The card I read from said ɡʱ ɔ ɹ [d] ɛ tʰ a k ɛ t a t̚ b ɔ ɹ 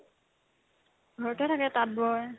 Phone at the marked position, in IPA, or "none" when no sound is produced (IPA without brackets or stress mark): t